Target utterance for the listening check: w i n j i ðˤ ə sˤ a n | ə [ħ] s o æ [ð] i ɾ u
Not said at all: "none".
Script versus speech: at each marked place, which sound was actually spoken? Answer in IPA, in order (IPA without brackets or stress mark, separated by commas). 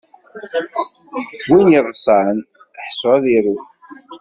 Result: ħ, ð